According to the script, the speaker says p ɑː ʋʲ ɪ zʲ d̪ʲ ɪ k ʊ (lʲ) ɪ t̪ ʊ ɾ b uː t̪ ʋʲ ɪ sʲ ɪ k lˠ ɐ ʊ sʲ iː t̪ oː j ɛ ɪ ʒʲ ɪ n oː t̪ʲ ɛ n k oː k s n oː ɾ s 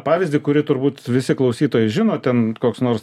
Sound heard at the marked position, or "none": ɾʲ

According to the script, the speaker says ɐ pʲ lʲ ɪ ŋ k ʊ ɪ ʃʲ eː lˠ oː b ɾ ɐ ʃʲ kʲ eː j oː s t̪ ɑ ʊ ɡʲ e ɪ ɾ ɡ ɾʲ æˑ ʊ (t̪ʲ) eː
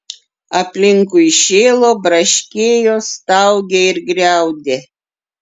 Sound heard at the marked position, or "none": d̪ʲ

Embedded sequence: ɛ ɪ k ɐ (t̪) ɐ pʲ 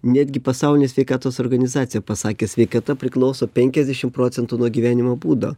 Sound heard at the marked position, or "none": t̪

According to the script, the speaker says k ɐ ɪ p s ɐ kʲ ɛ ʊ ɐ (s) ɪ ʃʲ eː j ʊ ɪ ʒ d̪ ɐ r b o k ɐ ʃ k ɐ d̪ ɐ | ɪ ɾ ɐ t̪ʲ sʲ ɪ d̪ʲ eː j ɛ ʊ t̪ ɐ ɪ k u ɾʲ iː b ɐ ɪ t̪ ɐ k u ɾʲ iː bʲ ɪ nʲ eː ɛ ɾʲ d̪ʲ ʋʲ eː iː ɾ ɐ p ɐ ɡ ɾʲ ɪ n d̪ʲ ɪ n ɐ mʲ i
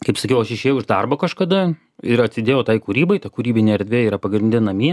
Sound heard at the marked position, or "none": ʃ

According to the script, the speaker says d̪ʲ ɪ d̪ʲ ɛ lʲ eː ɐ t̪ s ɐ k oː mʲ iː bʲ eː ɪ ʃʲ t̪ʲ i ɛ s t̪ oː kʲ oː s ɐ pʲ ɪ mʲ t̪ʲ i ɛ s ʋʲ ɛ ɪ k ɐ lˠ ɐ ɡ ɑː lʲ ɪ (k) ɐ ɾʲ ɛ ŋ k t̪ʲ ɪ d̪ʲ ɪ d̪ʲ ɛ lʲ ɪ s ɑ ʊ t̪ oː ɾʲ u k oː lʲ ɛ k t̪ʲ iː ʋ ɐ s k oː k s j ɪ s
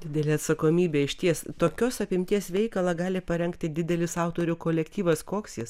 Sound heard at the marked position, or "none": p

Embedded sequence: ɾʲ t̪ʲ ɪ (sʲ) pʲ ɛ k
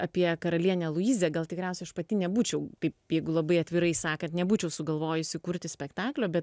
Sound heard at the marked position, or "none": sʲ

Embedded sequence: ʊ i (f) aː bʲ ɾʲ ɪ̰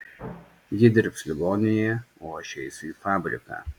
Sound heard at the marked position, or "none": f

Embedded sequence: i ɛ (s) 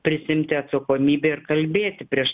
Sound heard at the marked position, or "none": ʃ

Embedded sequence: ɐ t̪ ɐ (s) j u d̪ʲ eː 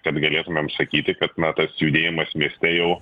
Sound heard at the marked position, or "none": s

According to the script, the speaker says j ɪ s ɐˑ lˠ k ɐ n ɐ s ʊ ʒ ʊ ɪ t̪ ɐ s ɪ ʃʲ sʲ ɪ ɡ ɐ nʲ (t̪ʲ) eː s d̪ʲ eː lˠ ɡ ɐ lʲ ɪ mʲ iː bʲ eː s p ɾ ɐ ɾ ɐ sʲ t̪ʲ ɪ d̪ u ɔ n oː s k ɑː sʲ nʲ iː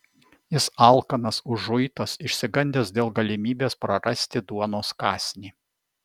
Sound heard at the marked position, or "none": d̪ʲ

